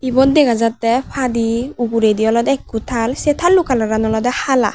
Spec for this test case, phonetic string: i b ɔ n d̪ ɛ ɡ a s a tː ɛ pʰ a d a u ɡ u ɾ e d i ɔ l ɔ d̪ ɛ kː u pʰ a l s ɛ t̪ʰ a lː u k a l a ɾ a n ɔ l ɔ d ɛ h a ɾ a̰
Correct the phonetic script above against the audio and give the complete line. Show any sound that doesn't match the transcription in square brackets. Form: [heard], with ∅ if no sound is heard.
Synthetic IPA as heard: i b ɔ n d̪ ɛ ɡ a [z] a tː ɛ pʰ a d [i] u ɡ u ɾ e d i ɔ l ɔ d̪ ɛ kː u [tʰ] a l s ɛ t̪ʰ a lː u k a l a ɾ a n ɔ l ɔ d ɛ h a [l] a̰